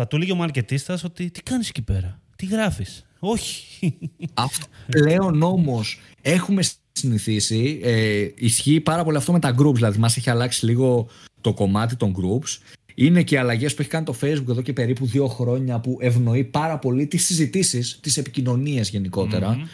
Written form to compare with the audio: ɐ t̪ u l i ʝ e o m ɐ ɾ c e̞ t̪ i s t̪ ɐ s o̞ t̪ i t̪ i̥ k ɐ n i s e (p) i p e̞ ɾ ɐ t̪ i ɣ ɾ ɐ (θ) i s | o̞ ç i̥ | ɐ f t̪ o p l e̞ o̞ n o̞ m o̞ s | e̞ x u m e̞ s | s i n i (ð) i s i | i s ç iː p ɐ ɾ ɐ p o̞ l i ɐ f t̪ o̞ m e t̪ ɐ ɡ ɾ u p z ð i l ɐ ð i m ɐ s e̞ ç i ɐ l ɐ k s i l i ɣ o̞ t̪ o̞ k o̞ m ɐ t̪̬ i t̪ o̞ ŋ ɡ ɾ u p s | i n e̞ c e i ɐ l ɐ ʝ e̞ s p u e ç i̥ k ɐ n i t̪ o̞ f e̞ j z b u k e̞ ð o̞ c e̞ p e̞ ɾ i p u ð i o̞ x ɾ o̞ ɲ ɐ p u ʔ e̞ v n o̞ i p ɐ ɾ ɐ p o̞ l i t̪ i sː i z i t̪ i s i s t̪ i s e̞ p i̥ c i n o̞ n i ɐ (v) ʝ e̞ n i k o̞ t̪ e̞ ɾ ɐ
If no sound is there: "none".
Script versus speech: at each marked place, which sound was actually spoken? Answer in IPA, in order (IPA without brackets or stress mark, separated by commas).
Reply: c, f, θ, z